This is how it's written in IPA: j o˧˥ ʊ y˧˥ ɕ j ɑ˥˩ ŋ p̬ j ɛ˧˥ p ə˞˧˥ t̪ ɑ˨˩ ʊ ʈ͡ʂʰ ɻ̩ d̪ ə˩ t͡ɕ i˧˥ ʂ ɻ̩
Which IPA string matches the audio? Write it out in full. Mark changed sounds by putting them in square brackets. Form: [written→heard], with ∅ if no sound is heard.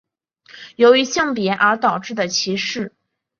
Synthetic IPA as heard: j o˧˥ ʊ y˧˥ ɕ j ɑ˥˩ ŋ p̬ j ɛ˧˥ [p→ʔ] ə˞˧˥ t̪ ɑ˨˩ ʊ [ʈ͡ʂʰ→ʈ͡ʂ] ɻ̩ d̪ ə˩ [t͡ɕ→t͡ɕʰ] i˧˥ ʂ ɻ̩